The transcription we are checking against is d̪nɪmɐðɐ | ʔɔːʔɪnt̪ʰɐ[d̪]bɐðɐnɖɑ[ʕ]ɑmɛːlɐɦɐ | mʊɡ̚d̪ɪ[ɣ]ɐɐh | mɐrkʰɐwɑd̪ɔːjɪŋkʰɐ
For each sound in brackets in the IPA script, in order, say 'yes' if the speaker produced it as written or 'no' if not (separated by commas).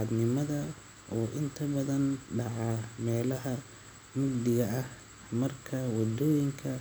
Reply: no, yes, yes